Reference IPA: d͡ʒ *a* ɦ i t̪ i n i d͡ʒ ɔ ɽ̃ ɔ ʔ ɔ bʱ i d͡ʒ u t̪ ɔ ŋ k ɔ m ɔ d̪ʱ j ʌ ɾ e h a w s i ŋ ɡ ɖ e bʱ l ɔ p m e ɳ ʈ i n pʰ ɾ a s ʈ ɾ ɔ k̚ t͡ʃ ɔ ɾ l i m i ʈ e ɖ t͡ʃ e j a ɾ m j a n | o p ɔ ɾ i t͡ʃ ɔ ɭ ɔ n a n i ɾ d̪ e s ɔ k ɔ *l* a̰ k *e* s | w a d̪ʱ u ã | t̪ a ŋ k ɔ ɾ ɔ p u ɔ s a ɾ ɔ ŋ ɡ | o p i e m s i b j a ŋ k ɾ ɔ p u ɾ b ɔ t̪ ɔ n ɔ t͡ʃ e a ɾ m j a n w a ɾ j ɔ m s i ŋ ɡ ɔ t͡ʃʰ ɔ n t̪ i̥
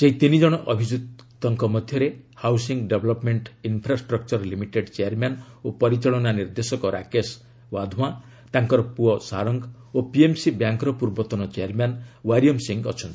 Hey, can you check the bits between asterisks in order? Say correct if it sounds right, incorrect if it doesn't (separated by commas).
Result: incorrect, incorrect, correct